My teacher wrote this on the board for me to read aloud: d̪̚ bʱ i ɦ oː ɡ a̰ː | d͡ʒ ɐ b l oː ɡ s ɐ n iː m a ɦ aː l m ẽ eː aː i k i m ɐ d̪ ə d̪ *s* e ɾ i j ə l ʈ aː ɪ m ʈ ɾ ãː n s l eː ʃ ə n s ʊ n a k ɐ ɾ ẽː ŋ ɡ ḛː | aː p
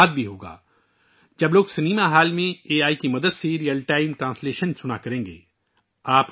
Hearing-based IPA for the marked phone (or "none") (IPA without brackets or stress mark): s